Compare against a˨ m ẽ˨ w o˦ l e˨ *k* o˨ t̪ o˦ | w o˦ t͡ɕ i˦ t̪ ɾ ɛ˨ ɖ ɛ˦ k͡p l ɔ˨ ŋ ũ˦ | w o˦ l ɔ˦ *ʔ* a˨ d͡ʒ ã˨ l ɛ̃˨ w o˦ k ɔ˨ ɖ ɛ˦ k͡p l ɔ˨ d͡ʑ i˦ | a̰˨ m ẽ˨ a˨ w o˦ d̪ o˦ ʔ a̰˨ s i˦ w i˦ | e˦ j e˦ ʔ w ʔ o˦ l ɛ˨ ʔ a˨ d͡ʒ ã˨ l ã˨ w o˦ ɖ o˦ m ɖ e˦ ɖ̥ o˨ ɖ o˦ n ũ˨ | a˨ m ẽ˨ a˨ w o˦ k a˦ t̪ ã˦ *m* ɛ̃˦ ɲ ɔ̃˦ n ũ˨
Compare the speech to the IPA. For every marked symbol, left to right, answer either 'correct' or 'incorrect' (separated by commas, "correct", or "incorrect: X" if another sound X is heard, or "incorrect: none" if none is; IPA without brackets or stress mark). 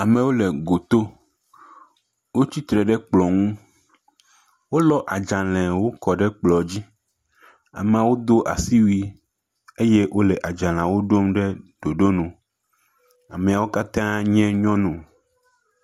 incorrect: ɡ, correct, incorrect: ɲ